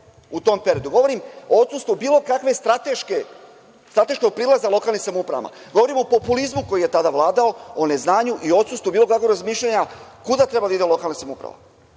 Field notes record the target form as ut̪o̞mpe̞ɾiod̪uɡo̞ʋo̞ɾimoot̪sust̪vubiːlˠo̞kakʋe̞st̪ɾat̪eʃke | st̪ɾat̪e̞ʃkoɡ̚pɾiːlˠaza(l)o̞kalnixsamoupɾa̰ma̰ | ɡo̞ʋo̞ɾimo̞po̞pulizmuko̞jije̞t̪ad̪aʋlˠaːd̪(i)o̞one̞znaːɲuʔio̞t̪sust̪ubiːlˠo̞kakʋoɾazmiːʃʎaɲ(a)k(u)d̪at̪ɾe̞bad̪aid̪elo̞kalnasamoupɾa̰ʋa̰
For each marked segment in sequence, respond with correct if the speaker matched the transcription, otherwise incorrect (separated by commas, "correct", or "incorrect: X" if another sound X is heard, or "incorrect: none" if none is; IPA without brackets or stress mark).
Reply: correct, incorrect: a, correct, correct